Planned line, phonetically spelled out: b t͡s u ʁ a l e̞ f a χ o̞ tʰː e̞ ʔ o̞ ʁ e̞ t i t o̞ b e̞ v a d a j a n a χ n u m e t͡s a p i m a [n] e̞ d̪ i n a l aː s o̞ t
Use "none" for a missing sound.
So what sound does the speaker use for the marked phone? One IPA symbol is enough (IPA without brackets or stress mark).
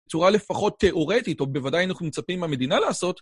m